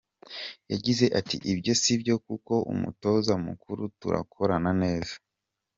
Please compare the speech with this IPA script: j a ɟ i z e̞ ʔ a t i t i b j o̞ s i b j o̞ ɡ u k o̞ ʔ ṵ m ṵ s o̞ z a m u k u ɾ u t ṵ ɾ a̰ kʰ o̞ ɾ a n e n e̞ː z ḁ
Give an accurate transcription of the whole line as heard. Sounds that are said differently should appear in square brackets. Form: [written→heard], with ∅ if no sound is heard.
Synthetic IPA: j a ɟ i z e̞ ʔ a t i [t→ʔ] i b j o̞ s i b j o̞ [ɡ→k] u k o̞ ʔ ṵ m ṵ [s→t] o̞ z a m u k u ɾ u t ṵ ɾ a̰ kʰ o̞ ɾ a n [e→a] n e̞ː z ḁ